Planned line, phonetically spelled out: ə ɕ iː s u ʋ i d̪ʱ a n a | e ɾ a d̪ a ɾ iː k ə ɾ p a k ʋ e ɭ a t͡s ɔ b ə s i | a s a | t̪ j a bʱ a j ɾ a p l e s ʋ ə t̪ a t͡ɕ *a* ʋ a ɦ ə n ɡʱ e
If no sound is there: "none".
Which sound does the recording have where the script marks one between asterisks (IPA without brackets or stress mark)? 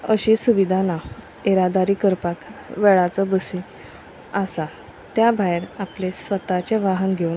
e